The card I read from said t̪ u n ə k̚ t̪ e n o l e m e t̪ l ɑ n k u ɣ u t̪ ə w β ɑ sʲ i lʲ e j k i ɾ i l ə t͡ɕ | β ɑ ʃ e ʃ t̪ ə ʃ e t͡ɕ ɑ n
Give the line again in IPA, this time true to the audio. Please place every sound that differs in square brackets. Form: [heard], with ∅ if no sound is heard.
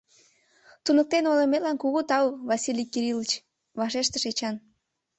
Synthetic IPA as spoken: t̪ u n ə k̚ t̪ e n o l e m e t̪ l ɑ n k u ɣ u t̪ [ɑ] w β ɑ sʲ i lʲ [i] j k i ɾ i l ə t͡ɕ | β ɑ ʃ e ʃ t̪ ə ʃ e t͡ɕ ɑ n